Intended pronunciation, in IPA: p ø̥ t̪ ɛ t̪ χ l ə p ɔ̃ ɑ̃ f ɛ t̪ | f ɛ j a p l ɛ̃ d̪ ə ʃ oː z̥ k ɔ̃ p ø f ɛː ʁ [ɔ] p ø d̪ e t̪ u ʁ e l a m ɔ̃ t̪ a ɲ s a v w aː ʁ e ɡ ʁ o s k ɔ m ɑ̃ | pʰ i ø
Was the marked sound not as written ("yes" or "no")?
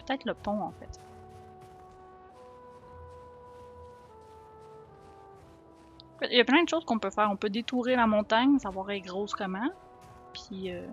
yes